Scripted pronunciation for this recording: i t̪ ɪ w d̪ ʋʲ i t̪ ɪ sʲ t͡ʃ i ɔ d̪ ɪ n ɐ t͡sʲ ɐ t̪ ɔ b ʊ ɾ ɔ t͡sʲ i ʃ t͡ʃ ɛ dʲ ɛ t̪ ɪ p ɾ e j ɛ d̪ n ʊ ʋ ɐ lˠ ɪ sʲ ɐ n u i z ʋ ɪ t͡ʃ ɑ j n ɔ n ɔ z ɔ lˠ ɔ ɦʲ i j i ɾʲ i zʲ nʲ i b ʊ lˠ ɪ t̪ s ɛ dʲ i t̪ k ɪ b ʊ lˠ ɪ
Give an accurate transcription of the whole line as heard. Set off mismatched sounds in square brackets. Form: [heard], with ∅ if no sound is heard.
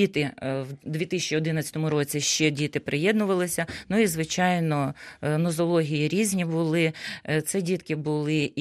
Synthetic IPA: i t̪ ɪ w d̪ ʋʲ i t̪ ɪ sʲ t͡ʃ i ɔ d̪ ɪ n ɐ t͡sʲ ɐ t̪ ɔ [m] ʊ ɾ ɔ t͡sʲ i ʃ t͡ʃ ɛ dʲ [i] t̪ ɪ p ɾ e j ɛ d̪ n ʊ ʋ ɐ lˠ ɪ sʲ ɐ n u i z ʋ ɪ t͡ʃ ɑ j n ɔ n ɔ z ɔ lˠ ɔ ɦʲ i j i ɾʲ i zʲ nʲ i b ʊ lˠ ɪ t̪ s ɛ dʲ i t̪ k ɪ b ʊ lˠ ɪ